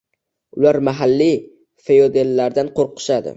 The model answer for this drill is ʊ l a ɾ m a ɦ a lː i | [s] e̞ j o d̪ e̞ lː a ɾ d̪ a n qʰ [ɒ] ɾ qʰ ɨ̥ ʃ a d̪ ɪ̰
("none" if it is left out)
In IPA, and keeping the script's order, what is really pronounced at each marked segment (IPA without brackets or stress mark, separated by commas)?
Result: f, o